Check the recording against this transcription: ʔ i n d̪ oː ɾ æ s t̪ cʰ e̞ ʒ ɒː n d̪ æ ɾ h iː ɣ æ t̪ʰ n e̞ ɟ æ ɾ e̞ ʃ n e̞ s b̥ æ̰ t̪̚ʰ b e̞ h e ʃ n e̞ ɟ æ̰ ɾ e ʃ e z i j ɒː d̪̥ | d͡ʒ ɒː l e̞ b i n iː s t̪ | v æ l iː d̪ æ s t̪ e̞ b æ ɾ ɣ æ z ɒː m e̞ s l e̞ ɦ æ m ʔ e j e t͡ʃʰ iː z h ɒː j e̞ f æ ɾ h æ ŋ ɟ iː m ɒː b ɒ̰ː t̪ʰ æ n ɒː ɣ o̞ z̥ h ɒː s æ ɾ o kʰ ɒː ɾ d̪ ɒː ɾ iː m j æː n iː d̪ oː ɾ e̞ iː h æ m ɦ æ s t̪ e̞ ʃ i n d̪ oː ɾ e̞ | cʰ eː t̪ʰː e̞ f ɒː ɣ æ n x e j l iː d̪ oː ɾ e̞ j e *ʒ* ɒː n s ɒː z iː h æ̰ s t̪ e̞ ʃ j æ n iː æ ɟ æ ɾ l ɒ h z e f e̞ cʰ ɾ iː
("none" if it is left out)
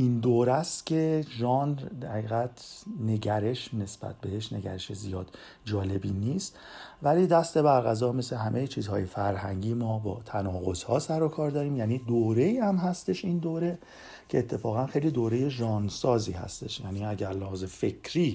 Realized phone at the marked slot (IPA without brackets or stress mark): ʒ